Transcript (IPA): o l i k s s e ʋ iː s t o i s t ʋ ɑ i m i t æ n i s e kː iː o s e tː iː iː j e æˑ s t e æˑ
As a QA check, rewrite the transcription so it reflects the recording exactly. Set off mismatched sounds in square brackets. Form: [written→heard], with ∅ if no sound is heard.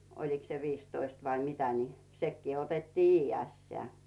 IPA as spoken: o l i k s s e ʋ iː s t o i s t ʋ ɑ i m i t æ n i s e kː iː o [s→t] e tː iː iː j e æˑ s t e æˑ